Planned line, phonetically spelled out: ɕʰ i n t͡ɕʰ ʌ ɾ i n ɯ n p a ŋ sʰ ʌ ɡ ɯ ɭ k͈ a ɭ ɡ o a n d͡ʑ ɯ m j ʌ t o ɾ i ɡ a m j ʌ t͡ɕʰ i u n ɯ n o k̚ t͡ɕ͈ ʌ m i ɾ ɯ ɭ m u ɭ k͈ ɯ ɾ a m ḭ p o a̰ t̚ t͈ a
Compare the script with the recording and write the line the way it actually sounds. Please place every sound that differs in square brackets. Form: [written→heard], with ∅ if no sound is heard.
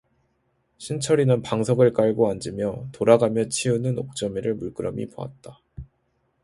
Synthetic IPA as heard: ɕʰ i n t͡ɕʰ ʌ ɾ i n ɯ n p a ŋ sʰ ʌ ɡ ɯ ɭ k͈ a ɭ ɡ o a n d͡ʑ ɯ m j ʌ t o ɾ [i→a] ɡ a m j ʌ t͡ɕʰ i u n ɯ n o k̚ t͡ɕ͈ ʌ m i ɾ ɯ ɭ m u ɭ k͈ ɯ ɾ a m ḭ p o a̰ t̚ t͈ a